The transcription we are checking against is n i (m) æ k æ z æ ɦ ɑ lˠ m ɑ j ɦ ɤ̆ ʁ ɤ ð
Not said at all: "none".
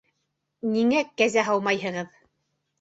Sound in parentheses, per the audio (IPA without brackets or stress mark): ŋ